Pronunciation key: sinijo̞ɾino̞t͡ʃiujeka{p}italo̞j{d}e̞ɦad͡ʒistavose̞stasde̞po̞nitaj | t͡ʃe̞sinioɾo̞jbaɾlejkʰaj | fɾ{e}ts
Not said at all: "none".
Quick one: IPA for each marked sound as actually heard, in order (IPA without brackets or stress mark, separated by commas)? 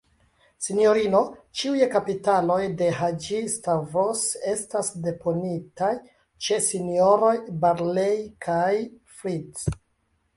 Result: p, d, i